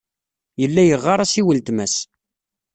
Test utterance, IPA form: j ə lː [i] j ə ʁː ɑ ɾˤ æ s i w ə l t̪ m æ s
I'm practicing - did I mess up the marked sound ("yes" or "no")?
yes